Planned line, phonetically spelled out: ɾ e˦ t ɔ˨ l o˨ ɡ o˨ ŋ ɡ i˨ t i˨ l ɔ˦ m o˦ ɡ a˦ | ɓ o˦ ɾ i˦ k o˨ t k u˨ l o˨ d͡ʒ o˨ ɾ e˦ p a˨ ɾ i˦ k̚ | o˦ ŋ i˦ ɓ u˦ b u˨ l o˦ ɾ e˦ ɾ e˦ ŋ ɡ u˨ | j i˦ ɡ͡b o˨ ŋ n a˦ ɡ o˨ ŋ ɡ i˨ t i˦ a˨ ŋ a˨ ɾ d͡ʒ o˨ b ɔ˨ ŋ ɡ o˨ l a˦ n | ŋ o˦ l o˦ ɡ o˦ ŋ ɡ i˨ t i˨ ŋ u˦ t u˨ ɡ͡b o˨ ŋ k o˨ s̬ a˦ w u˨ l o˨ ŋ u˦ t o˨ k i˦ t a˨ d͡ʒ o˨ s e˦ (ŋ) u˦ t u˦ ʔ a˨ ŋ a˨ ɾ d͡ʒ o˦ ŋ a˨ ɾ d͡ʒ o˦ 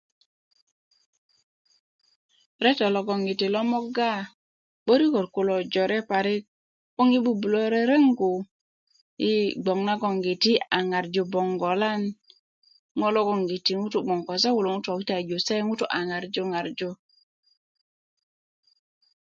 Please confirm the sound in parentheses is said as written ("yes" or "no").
yes